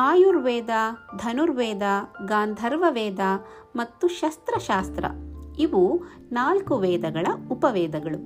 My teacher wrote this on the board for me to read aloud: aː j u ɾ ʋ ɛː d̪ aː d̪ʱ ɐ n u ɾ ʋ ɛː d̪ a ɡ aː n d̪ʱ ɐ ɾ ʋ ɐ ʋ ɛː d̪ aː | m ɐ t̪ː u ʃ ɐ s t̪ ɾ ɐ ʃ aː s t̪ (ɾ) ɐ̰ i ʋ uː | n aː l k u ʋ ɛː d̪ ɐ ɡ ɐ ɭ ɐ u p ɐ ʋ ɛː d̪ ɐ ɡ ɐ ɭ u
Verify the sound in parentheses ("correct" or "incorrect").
correct